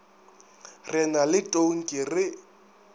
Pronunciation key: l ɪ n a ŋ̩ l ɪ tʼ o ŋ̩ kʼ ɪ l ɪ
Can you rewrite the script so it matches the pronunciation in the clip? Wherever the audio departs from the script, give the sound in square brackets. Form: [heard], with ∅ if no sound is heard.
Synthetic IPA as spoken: [r] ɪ n a [∅] l ɪ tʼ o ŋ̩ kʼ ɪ [r] ɪ